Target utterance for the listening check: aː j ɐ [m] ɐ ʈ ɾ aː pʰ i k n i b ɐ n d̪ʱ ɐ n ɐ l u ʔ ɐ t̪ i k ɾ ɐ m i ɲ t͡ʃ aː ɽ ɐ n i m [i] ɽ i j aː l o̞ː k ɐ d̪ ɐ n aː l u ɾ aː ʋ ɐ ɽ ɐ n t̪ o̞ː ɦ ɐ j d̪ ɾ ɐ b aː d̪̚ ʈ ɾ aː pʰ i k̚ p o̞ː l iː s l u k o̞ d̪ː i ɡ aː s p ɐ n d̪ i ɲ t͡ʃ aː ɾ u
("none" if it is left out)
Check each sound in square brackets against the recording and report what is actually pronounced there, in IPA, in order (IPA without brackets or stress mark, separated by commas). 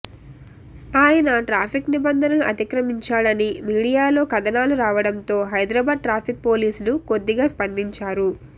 n, iː